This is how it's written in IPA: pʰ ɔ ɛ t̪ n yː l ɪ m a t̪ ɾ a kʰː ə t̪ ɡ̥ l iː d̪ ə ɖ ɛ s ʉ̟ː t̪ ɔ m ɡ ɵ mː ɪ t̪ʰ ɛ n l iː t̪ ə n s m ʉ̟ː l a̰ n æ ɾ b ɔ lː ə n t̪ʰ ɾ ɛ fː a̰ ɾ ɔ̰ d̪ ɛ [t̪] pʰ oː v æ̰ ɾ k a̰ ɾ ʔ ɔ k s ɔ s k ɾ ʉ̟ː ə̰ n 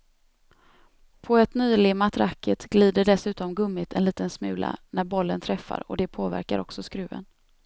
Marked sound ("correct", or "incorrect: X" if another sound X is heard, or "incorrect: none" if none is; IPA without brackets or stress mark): incorrect: none